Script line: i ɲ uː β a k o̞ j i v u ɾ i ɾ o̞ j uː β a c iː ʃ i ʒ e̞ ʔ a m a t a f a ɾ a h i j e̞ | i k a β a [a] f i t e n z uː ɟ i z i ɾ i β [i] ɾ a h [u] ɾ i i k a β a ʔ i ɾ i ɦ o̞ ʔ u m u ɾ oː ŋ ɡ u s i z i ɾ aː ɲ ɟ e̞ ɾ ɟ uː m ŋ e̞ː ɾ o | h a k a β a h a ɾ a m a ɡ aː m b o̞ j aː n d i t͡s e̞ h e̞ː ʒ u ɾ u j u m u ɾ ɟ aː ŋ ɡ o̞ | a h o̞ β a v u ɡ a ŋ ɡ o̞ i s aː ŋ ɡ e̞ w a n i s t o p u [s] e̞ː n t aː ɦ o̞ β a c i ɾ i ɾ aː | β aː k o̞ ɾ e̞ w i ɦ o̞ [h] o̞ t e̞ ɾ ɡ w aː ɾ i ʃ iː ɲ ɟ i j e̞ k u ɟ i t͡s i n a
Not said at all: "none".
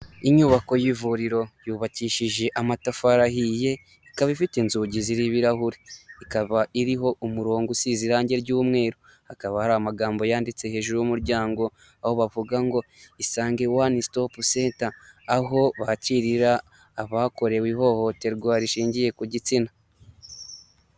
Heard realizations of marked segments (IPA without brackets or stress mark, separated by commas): i, i, u, s, h